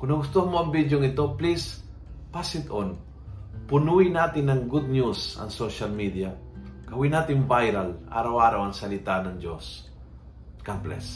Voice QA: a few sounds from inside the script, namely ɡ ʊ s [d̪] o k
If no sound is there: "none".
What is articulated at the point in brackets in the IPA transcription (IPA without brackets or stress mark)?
t̪